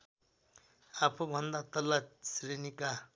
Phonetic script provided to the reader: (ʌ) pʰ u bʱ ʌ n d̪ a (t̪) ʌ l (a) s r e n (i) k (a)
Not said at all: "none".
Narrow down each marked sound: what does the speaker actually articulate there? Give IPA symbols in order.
a, t̪, a, i, a

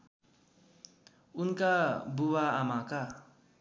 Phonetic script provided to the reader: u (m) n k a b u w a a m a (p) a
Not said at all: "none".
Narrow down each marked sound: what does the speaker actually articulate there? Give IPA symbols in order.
none, k

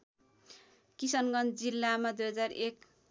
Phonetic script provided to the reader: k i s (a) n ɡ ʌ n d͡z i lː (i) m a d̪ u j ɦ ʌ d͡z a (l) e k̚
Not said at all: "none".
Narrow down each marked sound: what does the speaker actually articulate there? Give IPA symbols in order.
ʌ, a, r

